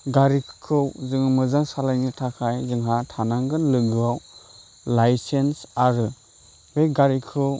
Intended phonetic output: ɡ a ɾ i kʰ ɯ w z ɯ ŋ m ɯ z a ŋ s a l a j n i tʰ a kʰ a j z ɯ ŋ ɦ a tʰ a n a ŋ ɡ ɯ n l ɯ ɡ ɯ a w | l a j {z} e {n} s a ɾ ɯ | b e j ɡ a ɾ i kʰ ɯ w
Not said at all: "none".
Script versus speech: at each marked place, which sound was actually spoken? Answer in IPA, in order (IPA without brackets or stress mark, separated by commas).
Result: s, n